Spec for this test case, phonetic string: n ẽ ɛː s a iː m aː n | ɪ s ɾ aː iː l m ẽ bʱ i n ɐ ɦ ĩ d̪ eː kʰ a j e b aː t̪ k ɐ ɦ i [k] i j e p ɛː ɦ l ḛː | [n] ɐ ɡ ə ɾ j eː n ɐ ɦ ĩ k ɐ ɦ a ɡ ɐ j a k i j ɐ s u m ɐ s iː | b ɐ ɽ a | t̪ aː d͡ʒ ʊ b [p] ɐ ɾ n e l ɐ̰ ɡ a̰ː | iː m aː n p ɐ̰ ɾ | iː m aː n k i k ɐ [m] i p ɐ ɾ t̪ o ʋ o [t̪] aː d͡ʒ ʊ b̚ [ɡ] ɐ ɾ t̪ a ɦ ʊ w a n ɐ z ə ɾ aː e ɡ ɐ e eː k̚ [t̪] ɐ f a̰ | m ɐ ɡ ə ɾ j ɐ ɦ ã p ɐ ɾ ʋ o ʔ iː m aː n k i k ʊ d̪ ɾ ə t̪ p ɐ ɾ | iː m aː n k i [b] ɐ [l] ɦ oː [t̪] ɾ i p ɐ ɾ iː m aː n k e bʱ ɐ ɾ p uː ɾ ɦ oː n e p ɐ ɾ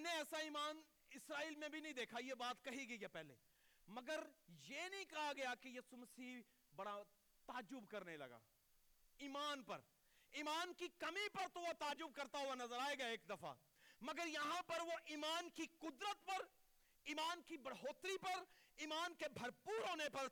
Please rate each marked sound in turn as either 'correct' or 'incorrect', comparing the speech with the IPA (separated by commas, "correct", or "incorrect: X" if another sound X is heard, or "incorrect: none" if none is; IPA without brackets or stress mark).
incorrect: ɡ, incorrect: m, incorrect: k, correct, correct, incorrect: k, incorrect: d̪, correct, incorrect: ɽ, correct